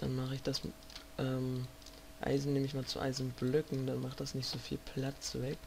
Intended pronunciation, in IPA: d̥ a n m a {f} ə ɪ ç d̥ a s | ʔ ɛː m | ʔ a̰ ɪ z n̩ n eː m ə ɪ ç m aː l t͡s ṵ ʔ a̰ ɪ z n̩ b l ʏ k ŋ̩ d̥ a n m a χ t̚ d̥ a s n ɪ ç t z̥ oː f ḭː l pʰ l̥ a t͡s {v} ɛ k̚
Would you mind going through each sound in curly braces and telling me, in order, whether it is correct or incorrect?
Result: incorrect: χ, correct

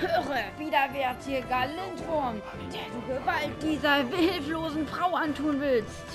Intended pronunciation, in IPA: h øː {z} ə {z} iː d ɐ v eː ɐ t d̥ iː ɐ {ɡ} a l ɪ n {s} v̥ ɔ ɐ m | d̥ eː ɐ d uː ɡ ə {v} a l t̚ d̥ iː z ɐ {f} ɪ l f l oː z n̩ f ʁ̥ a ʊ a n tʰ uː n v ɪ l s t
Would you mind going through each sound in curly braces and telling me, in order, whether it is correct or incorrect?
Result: incorrect: ʁ, incorrect: v, correct, incorrect: t, correct, incorrect: v

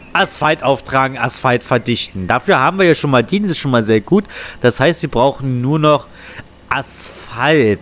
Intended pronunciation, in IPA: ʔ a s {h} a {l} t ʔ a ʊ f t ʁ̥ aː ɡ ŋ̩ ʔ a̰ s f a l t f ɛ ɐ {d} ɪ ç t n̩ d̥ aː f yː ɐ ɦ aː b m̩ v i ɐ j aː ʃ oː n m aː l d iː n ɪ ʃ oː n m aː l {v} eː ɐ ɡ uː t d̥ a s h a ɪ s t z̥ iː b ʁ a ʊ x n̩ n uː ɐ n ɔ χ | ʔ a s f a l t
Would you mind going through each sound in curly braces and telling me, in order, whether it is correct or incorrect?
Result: incorrect: f, correct, correct, incorrect: z

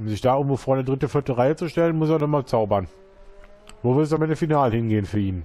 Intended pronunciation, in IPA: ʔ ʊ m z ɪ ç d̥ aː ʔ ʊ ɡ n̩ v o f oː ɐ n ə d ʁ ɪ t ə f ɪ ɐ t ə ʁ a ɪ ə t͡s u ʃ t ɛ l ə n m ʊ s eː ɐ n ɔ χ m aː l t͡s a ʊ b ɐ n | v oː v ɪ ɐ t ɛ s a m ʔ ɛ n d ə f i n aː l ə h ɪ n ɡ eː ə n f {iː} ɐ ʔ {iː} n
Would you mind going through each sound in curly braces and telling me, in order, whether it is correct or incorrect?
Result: incorrect: yː, correct

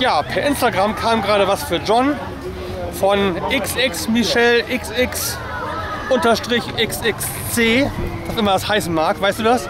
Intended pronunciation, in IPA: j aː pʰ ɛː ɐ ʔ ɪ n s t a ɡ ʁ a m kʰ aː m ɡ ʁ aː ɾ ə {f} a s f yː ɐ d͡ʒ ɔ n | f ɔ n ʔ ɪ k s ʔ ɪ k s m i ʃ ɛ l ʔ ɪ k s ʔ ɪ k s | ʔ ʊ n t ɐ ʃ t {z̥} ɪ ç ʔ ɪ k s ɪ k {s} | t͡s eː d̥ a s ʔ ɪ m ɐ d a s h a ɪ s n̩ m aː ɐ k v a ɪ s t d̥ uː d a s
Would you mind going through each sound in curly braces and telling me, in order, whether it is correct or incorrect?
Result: incorrect: v, incorrect: ʁ̥, correct

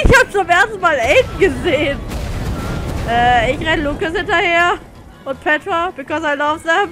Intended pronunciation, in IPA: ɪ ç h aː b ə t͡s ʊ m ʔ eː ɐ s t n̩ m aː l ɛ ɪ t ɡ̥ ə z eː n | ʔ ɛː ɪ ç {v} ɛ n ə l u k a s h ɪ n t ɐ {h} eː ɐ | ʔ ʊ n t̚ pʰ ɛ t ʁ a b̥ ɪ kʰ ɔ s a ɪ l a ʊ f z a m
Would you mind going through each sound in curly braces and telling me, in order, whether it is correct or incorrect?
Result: incorrect: ʁ, correct

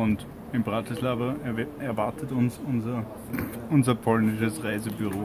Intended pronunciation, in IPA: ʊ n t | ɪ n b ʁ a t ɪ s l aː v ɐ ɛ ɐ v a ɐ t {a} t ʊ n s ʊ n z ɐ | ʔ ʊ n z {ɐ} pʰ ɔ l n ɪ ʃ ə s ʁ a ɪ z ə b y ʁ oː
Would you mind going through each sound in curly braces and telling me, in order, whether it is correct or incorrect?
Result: incorrect: ə, correct

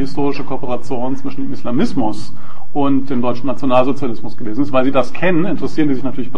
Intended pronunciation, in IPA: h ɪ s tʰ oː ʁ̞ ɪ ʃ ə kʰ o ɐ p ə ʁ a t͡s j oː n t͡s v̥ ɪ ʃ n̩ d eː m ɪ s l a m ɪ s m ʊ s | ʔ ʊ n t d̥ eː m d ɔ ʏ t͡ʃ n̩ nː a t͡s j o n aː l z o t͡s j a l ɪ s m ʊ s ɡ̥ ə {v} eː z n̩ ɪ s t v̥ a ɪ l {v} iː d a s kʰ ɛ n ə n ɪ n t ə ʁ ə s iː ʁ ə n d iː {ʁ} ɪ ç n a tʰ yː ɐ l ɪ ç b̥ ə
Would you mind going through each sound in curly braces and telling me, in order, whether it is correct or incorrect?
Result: correct, incorrect: z, incorrect: z

